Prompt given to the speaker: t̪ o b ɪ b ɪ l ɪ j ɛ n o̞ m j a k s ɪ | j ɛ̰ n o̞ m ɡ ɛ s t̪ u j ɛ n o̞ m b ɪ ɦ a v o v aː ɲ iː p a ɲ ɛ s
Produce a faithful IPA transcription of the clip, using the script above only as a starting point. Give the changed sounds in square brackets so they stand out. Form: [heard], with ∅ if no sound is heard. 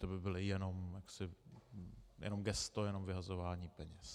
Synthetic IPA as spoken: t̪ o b ɪ b ɪ l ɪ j ɛ n o̞ m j a k s ɪ | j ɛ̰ n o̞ m ɡ ɛ s t̪ [o] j ɛ n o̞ m [v] ɪ ɦ a [z] o v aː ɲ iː p [ɛ] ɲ ɛ s